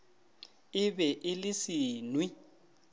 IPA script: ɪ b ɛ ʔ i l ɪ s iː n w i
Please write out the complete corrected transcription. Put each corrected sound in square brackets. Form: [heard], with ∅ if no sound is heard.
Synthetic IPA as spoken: ɪ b ɛ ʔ [ɪ] l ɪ s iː n w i